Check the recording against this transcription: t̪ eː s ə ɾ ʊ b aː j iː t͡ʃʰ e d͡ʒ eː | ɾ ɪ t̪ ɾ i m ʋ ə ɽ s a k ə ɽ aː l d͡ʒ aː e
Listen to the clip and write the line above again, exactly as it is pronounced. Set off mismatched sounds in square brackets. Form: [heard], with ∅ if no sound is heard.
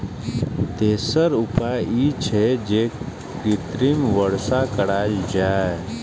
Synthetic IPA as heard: t̪ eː s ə ɾ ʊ [p] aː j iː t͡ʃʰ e d͡ʒ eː | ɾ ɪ t̪ ɾ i m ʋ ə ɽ s a k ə ɽ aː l d͡ʒ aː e